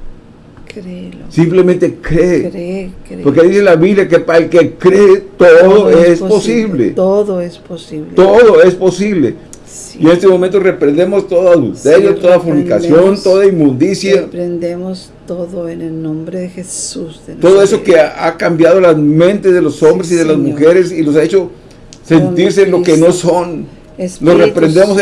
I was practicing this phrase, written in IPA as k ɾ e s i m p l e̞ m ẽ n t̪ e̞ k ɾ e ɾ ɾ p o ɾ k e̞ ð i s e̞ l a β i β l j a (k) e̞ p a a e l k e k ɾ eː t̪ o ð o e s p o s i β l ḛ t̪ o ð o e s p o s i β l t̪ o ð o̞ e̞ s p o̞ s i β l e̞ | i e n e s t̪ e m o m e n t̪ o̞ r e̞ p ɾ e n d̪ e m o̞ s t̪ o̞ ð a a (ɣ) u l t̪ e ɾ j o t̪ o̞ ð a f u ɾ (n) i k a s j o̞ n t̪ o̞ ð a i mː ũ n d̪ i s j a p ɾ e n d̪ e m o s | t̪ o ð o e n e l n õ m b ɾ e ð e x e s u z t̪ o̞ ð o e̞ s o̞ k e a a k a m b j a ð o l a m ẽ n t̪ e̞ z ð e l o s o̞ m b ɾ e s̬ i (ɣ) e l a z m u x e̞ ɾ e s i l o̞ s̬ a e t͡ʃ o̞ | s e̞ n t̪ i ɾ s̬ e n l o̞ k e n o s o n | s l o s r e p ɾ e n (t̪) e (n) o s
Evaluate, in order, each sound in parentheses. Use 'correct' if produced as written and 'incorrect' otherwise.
correct, incorrect: ð, correct, incorrect: ð, incorrect: d̪, incorrect: m

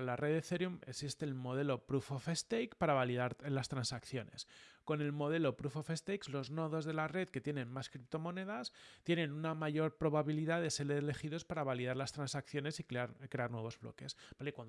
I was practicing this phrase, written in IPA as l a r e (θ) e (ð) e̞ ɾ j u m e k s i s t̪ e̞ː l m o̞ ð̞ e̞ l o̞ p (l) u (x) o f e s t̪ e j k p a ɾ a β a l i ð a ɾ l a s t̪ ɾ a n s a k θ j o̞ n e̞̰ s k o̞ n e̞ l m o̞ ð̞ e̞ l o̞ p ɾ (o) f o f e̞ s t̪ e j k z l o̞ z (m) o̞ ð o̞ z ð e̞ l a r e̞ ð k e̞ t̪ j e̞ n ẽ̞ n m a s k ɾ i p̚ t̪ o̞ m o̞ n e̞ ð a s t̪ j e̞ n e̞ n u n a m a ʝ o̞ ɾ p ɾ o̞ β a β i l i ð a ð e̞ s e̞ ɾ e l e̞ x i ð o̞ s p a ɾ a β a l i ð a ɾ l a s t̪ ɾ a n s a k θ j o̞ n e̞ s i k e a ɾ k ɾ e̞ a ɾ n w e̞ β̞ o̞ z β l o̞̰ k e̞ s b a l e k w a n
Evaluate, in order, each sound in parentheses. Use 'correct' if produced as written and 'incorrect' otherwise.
incorrect: ð, incorrect: θ, incorrect: ɾ, incorrect: f, incorrect: u, incorrect: n

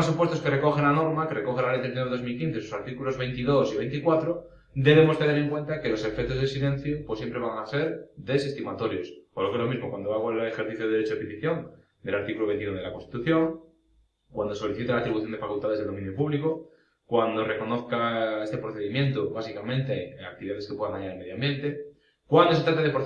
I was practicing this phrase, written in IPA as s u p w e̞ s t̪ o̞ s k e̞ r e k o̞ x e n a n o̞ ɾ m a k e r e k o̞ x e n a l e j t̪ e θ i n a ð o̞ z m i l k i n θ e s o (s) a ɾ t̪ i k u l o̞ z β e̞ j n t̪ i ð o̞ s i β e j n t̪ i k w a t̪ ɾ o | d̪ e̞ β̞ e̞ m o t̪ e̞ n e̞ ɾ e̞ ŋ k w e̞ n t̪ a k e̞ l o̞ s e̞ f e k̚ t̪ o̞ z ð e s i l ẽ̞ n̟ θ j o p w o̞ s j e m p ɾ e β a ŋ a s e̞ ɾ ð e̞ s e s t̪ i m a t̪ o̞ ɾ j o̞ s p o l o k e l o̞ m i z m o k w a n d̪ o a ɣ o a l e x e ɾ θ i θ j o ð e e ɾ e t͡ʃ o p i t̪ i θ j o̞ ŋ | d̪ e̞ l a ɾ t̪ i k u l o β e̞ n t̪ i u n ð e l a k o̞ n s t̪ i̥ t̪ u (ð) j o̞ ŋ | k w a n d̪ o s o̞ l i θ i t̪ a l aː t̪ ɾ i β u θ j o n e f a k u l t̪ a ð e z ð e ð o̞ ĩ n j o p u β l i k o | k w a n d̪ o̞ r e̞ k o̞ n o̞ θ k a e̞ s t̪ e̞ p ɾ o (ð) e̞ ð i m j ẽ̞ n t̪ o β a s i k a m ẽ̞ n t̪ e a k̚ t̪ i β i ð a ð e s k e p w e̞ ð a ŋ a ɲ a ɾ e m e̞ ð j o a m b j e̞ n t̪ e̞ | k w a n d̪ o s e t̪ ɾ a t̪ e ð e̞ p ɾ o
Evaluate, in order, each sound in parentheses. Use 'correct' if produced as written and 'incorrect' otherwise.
correct, incorrect: θ, incorrect: θ

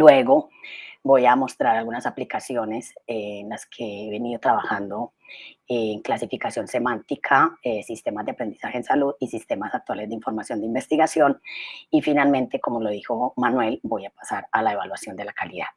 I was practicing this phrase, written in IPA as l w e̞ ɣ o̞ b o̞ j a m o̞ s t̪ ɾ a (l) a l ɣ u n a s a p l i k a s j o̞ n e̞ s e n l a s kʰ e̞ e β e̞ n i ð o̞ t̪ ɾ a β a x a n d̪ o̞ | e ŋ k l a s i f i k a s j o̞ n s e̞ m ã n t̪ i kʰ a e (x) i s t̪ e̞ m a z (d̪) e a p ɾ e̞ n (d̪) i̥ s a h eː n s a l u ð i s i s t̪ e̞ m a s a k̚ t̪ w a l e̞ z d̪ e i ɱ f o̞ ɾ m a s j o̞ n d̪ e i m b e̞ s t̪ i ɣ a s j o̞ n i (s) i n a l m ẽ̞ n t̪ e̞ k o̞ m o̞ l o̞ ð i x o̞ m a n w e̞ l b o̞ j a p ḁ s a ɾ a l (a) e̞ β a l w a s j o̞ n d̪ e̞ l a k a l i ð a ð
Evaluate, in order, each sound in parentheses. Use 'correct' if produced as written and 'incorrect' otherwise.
incorrect: ɾ, incorrect: s, correct, correct, incorrect: f, correct

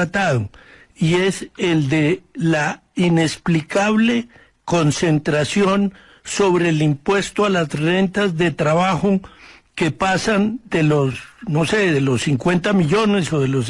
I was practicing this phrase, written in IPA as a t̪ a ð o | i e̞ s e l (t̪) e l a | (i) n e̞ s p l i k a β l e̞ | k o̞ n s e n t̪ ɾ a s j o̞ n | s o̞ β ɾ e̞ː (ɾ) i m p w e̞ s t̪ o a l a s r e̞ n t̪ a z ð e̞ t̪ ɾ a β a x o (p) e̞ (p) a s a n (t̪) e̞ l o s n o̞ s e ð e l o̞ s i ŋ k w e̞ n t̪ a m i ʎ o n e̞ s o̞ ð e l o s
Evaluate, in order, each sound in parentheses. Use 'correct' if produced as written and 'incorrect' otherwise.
incorrect: d̪, correct, incorrect: l, incorrect: k, correct, incorrect: d̪

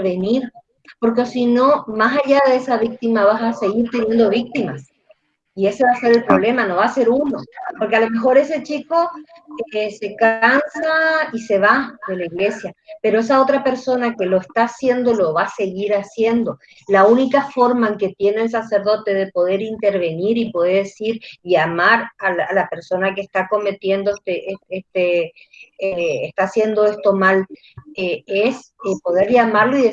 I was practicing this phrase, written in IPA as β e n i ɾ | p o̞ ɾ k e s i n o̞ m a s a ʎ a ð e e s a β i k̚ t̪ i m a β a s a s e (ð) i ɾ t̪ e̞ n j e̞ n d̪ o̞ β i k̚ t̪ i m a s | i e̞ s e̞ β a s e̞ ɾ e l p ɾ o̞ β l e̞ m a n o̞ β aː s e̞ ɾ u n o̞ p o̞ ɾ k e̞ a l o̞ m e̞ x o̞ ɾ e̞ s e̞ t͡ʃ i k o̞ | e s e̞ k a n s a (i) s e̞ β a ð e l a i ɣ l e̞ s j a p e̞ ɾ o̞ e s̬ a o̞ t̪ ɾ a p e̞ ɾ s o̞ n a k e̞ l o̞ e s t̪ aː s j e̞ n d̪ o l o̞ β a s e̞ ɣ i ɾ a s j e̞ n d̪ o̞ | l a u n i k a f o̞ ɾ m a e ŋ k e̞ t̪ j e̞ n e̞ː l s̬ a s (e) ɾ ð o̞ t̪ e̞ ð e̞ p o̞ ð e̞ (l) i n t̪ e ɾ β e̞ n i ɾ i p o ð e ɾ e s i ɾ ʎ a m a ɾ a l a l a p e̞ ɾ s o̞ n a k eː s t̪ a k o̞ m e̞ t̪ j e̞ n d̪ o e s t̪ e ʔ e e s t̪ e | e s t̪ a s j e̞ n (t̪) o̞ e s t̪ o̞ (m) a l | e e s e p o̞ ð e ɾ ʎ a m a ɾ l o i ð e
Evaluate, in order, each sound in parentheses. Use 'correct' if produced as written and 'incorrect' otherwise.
incorrect: ɣ, correct, correct, incorrect: ɾ, incorrect: d̪, correct

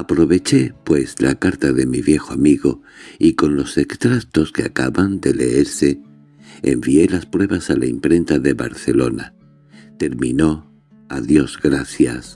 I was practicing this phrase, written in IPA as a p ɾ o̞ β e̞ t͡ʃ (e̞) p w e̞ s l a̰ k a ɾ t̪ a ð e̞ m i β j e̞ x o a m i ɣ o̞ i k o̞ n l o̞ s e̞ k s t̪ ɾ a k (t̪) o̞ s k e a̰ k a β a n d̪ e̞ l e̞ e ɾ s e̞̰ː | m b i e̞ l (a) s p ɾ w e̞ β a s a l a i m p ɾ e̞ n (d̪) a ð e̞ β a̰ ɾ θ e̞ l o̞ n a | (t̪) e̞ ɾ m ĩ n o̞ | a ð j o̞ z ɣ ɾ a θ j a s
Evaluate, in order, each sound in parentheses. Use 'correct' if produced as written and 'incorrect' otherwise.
correct, correct, correct, incorrect: t̪, correct

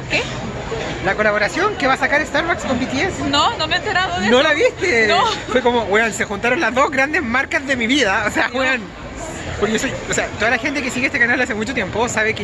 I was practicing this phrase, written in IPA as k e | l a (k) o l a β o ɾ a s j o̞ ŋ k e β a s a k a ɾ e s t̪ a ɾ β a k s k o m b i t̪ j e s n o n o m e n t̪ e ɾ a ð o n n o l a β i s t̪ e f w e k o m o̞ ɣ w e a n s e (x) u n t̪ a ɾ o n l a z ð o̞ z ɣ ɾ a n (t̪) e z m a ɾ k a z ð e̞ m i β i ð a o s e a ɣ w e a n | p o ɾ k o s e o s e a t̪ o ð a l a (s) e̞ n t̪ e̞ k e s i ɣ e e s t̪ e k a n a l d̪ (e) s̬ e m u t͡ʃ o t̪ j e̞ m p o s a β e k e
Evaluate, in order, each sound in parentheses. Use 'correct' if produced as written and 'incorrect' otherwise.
correct, correct, incorrect: d̪, incorrect: x, incorrect: a

